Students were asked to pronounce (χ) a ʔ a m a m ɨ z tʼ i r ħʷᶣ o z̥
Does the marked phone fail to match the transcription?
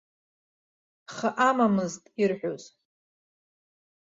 no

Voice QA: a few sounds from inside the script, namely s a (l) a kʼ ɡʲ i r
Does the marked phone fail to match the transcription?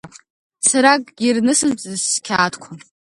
yes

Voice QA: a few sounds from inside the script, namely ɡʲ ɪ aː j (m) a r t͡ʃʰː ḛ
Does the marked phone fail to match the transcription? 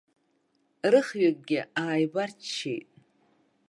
yes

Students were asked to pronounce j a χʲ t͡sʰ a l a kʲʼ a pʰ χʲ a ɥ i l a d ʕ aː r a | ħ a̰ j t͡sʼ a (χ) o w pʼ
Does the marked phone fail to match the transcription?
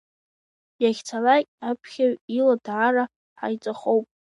no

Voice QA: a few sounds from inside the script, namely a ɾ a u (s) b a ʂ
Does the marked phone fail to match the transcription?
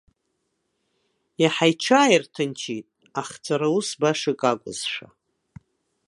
no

